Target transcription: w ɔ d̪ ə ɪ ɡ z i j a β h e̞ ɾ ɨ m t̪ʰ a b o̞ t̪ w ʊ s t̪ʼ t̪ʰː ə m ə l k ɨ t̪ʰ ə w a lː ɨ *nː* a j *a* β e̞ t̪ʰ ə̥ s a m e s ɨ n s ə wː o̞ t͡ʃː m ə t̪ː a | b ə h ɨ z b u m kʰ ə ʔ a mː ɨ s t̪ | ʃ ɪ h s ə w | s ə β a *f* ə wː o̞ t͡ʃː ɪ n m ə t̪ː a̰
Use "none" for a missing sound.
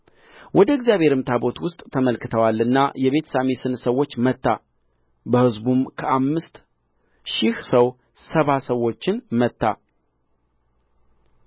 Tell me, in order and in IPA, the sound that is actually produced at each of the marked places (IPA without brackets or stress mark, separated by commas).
nː, ɛ, s